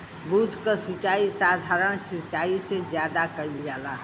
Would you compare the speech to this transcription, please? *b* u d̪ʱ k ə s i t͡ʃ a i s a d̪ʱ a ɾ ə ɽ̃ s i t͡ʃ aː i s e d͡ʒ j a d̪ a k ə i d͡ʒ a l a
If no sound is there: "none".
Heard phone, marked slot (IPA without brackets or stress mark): b